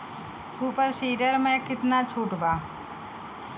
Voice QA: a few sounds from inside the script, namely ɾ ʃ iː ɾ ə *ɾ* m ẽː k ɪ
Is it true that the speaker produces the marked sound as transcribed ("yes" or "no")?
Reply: yes